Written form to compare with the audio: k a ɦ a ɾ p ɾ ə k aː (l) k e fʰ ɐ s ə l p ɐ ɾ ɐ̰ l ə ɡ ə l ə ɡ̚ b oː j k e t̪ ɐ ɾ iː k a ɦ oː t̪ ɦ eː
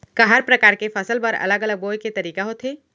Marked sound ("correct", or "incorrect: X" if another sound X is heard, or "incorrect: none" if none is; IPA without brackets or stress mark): incorrect: ɾ